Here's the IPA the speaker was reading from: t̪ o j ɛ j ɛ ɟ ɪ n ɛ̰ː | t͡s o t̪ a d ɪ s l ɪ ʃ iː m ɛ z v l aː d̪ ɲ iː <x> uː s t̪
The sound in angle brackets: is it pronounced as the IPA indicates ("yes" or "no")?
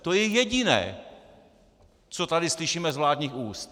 yes